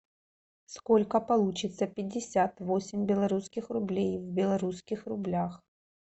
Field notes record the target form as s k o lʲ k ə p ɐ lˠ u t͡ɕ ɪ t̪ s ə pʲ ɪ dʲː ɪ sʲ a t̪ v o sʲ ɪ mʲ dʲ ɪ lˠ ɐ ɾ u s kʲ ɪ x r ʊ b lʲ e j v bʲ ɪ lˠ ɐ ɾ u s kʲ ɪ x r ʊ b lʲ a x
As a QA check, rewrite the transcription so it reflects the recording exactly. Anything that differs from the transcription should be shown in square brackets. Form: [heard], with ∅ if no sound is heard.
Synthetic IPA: s k o lʲ k ə p ɐ lˠ u t͡ɕ ɪ t̪ s ə pʲ ɪ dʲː ɪ sʲ a t̪ v o sʲ ɪ mʲ [bʲ] ɪ lˠ ɐ ɾ u s kʲ ɪ x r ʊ b lʲ e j v bʲ ɪ lˠ ɐ ɾ u s kʲ ɪ x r ʊ b lʲ a x